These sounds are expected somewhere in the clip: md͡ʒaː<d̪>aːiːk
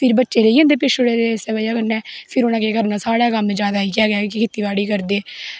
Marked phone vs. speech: correct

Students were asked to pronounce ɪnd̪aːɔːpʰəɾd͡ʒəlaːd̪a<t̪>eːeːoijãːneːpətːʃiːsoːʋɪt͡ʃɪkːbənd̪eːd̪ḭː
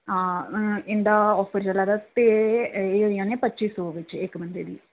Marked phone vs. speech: correct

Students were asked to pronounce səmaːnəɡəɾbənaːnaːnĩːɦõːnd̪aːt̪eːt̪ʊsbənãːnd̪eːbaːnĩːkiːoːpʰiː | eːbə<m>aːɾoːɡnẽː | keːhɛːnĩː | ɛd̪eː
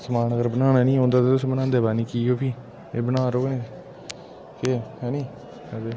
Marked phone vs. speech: incorrect: n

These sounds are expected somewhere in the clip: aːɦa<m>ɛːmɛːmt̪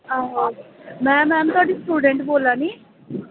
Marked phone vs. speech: correct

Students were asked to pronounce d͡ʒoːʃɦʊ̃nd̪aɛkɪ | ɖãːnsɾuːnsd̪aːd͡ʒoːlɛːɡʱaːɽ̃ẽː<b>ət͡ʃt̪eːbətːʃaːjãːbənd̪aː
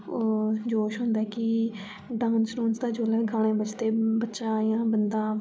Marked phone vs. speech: correct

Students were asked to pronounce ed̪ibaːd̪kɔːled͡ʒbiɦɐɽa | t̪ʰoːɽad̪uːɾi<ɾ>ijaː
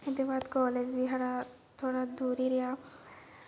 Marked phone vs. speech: correct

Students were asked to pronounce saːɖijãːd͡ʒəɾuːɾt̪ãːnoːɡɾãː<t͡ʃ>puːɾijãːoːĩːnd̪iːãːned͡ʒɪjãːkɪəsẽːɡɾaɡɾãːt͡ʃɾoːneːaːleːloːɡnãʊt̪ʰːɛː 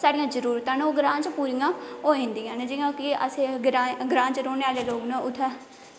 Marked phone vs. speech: correct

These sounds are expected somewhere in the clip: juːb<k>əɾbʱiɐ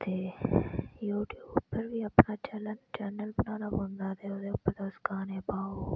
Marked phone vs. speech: incorrect: p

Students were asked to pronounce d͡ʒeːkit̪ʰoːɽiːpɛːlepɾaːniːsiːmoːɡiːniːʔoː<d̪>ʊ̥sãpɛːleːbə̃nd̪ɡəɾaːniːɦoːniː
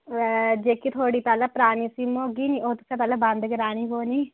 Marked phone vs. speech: incorrect: t̪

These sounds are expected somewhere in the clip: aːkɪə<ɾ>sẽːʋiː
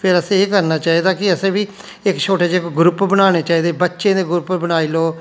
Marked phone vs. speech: incorrect: none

